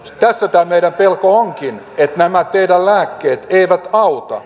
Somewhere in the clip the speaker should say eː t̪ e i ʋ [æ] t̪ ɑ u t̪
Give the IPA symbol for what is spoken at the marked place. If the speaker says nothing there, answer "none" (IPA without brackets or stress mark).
æ